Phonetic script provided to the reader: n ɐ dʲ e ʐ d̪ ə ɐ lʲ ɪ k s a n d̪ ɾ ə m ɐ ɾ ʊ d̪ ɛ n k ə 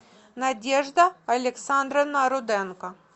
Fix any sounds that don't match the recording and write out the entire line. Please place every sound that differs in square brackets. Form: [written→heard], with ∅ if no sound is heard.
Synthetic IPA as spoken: n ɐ dʲ e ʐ d̪ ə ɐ lʲ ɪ k s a n d̪ ɾ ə [m→n] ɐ ɾ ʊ d̪ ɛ n k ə